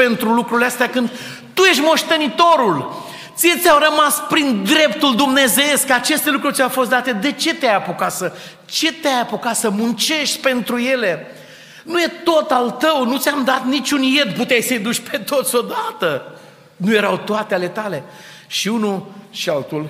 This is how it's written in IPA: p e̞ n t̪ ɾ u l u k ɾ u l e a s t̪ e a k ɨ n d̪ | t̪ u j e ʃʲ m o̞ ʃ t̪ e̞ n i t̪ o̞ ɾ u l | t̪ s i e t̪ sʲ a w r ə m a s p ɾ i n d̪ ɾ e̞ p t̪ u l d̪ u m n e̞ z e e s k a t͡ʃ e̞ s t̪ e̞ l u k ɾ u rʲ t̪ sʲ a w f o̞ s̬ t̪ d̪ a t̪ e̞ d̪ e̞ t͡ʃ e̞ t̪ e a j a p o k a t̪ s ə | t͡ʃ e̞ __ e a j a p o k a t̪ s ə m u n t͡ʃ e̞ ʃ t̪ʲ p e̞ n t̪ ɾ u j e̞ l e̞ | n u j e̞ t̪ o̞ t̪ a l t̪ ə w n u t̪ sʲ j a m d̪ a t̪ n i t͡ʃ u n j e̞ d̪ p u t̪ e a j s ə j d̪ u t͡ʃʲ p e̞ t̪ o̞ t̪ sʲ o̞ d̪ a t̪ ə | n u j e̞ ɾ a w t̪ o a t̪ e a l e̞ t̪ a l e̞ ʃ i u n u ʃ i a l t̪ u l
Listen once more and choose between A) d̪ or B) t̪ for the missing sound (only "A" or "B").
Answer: B